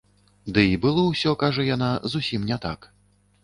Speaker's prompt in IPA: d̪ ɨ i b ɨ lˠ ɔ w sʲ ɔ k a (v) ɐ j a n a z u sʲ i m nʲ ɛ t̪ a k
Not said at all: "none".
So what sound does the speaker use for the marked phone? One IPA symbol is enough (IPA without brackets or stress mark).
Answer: ʐ